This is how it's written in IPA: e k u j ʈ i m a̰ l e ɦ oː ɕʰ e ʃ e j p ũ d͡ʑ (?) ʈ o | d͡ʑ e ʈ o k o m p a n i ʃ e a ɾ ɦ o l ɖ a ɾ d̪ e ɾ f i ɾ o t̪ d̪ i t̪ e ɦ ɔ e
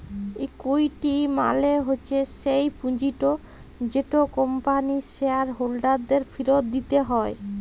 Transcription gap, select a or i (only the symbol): i